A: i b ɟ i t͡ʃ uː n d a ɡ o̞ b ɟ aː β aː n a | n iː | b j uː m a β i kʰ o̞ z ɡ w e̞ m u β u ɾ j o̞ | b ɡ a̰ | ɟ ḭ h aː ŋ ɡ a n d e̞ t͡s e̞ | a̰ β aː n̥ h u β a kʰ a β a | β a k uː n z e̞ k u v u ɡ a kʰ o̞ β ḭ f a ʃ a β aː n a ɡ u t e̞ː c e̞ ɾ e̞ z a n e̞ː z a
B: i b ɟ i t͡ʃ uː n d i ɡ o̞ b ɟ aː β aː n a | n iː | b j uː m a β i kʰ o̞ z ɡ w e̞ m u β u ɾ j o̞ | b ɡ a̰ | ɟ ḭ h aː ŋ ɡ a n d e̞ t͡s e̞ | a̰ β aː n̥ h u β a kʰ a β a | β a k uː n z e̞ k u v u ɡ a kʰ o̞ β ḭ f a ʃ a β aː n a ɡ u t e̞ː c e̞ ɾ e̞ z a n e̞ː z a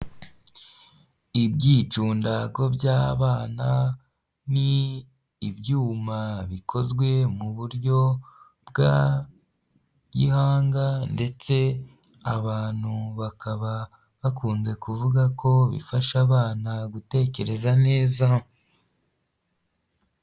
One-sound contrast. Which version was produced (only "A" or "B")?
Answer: A